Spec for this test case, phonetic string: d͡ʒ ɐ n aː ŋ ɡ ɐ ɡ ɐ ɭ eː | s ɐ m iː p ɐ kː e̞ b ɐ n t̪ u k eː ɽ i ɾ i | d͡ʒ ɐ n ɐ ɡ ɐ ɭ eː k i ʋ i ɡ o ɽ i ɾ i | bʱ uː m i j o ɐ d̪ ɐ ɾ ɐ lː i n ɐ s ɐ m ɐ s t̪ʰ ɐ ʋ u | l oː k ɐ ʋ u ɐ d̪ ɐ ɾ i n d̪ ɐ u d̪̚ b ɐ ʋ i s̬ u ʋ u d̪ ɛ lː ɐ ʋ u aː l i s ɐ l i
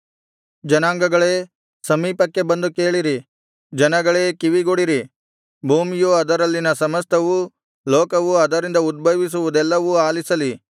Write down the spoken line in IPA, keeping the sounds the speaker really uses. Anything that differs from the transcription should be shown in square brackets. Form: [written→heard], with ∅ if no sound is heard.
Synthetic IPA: d͡ʒ ɐ n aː ŋ ɡ ɐ ɡ ɐ ɭ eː | s ɐ m iː p ɐ kː e̞ b ɐ n [t̪→d̪] u k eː [ɽ→ɭ] i ɾ i | d͡ʒ ɐ n ɐ ɡ ɐ ɭ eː k i ʋ i ɡ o ɽ i ɾ i | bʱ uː m i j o ɐ d̪ ɐ ɾ ɐ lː i n ɐ s ɐ m ɐ s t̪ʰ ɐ ʋ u | l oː k ɐ ʋ u ɐ d̪ ɐ ɾ i n d̪ ɐ u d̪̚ b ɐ ʋ i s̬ u ʋ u d̪ ɛ lː ɐ ʋ u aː l i s ɐ l i

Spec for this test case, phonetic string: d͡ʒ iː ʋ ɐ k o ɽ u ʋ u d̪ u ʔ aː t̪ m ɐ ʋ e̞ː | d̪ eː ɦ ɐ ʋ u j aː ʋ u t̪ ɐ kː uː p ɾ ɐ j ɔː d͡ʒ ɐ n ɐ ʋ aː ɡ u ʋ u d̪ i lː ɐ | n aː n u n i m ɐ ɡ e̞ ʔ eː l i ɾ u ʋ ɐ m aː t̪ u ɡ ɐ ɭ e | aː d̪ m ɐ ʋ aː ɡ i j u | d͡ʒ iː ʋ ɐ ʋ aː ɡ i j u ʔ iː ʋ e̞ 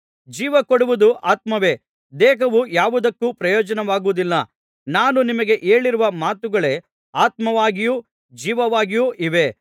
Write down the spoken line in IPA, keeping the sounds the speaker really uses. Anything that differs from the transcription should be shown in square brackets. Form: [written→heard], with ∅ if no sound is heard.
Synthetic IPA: d͡ʒ iː ʋ ɐ k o ɽ u ʋ u d̪ u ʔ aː t̪ m ɐ ʋ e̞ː | d̪ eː ɦ ɐ ʋ u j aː ʋ u [t̪→d̪] ɐ kː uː p ɾ ɐ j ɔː d͡ʒ ɐ n ɐ ʋ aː ɡ u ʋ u d̪ i lː ɐ | n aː n u n i m ɐ ɡ e̞ ʔ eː [l→ɭ] i ɾ u ʋ ɐ m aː t̪ u ɡ ɐ ɭ e | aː [d̪→t̪] m ɐ ʋ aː ɡ i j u | d͡ʒ iː ʋ ɐ ʋ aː ɡ i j u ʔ [iː→i] ʋ e̞

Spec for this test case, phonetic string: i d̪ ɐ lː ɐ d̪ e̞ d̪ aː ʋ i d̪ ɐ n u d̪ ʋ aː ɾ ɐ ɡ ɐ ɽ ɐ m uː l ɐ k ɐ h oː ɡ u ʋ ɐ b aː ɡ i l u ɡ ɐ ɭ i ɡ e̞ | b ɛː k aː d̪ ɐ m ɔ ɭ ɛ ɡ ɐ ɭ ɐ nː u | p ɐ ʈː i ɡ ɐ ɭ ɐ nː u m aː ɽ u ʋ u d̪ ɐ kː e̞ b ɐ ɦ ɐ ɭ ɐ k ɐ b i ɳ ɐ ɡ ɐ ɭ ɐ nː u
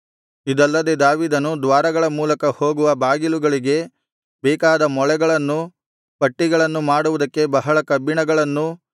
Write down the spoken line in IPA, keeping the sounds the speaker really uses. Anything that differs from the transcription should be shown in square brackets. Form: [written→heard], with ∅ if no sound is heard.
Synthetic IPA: i d̪ ɐ lː ɐ d̪ e̞ d̪ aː ʋ [i→iː] d̪ ɐ n u d̪ ʋ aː ɾ ɐ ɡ ɐ [ɽ→ɭ] ɐ m uː l ɐ k ɐ h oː ɡ u ʋ ɐ b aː ɡ i l u ɡ ɐ ɭ i ɡ e̞ | b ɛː k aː d̪ ɐ m ɔ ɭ ɛ ɡ ɐ ɭ ɐ nː u | p ɐ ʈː i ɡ ɐ ɭ ɐ nː u m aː ɽ u ʋ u d̪ ɐ kː e̞ b ɐ ɦ ɐ ɭ ɐ k ɐ b i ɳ ɐ ɡ ɐ ɭ ɐ nː u

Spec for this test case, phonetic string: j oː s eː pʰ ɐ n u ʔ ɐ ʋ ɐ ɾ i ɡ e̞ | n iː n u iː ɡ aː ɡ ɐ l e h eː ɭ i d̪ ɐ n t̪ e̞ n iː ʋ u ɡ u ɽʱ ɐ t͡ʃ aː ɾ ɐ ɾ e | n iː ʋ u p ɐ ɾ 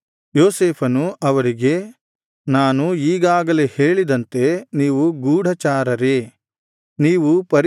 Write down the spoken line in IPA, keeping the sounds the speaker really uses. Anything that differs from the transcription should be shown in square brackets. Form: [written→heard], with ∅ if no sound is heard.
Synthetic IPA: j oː s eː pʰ ɐ n u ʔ ɐ ʋ ɐ ɾ i ɡ e̞ | n [iː→aː] n u iː ɡ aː ɡ ɐ l e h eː ɭ i d̪ ɐ n t̪ e̞ n iː ʋ u ɡ [u→uː] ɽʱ ɐ t͡ʃ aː ɾ ɐ ɾ e | n iː ʋ u p ɐ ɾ

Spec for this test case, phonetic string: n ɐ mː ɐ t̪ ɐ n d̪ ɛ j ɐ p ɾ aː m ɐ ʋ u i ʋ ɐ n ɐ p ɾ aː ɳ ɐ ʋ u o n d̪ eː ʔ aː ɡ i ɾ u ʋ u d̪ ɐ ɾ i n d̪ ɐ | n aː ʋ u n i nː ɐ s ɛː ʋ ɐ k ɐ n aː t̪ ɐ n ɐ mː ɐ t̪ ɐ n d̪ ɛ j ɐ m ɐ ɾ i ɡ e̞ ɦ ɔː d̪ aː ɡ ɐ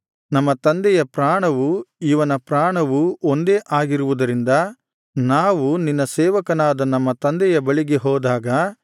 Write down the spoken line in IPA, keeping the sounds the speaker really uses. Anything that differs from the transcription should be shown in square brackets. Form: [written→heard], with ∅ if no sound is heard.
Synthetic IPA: n ɐ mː ɐ t̪ ɐ n d̪ ɛ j ɐ p ɾ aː [m→ɳ] ɐ ʋ u i ʋ ɐ n ɐ p ɾ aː ɳ ɐ ʋ u o n d̪ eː ʔ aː ɡ i ɾ u ʋ u d̪ ɐ ɾ i n d̪ ɐ | n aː ʋ u n i nː ɐ s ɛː ʋ ɐ k ɐ n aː [t̪→d̪] ɐ n ɐ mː ɐ t̪ ɐ n d̪ ɛ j ɐ [m→b] ɐ [ɾ→ɭ] i ɡ e̞ ɦ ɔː d̪ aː ɡ ɐ

